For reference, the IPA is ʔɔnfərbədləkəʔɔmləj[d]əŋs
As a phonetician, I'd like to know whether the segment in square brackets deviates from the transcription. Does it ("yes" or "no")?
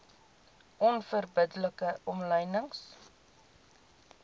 yes